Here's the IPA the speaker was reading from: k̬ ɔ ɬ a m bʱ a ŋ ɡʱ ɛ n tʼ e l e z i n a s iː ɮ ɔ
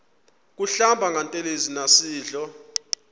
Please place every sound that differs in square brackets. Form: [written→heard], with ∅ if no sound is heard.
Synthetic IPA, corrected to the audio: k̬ [ɔ→u] ɬ a m bʱ a ŋ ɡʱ [ɛ→a] n tʼ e l e z i n a s iː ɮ ɔ